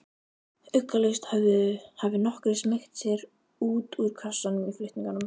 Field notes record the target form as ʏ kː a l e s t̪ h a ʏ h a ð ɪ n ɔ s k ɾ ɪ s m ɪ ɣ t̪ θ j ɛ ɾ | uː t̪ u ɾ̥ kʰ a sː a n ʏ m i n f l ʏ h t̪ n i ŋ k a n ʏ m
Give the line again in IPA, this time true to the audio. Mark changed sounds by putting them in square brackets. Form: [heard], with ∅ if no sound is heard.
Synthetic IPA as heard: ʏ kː a l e s t̪ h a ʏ h a [v] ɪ n ɔ [h] k ɾ ɪ s m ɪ [x] t̪ [s] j ɛ ɾ | uː t̪ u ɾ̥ kʰ a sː a n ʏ m i [∅] f l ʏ h t̪ n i ŋ k a n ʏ m